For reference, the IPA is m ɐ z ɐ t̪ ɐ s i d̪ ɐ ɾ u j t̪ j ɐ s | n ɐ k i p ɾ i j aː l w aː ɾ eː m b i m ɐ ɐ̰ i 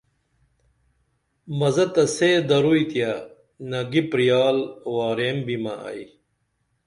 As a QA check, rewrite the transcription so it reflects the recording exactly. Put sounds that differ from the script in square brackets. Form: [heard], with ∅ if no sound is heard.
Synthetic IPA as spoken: m ɐ z ɐ t̪ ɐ s [e] d̪ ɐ ɾ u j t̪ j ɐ [∅] | n ɐ [ɡ] i p ɾ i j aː l w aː ɾ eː m b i m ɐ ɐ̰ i